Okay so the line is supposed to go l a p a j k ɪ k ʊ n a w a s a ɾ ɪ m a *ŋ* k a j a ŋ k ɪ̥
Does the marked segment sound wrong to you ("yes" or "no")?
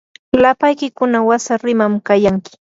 yes